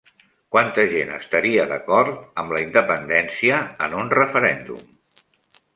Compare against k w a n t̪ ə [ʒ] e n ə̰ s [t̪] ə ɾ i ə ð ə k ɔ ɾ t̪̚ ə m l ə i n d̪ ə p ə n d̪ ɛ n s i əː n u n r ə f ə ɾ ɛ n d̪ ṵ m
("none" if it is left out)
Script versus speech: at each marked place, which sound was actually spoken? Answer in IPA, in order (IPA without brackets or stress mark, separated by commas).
ʒ, t̪